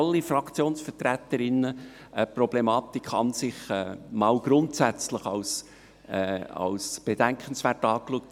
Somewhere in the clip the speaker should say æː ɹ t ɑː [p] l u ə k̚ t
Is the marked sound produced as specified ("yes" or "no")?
no